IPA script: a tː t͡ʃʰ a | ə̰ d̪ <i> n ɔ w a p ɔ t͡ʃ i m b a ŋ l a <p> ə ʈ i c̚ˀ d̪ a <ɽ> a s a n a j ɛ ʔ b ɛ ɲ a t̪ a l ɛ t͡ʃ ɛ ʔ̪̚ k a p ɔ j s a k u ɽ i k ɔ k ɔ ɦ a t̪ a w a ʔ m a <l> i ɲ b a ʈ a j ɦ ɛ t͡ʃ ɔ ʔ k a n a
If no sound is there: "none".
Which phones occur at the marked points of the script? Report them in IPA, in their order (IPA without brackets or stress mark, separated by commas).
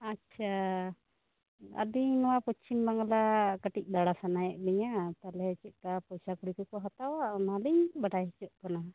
i, k, ɽ, l